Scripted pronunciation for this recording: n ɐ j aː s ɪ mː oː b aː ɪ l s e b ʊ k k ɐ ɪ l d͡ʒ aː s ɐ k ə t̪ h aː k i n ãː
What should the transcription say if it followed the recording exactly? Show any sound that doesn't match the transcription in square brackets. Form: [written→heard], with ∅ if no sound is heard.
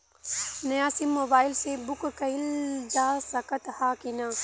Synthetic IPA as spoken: n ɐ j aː s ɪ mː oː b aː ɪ l s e b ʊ k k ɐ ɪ l d͡ʒ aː s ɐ k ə t̪ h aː k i n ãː